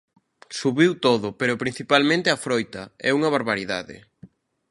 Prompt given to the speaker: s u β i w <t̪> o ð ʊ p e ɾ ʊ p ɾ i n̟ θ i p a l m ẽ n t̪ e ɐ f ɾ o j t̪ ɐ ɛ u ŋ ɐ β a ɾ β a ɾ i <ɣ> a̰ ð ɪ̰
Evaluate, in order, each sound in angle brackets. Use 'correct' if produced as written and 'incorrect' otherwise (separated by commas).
correct, incorrect